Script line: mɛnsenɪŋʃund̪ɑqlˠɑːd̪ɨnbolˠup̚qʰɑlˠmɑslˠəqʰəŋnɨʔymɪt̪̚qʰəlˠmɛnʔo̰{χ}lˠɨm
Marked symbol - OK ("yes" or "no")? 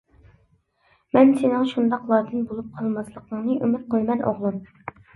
no